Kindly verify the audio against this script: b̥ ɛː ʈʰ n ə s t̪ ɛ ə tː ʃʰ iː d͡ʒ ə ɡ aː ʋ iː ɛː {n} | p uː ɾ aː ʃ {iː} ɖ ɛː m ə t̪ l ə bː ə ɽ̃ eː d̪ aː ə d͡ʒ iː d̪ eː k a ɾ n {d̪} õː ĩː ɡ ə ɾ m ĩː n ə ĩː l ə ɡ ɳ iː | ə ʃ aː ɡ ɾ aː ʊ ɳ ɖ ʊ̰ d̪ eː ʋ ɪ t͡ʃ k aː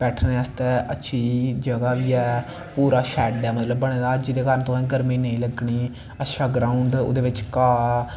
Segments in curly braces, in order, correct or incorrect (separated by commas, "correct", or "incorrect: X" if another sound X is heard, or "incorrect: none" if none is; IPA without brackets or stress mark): incorrect: none, incorrect: ɛː, incorrect: t̪